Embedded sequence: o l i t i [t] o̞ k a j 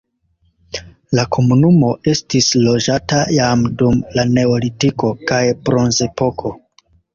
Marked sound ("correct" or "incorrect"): incorrect